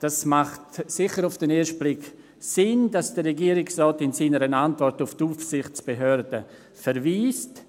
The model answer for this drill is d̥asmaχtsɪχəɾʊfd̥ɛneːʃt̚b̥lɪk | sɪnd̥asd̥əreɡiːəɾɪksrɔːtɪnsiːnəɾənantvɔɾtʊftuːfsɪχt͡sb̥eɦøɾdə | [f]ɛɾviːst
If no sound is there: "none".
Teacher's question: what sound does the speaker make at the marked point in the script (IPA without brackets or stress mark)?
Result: f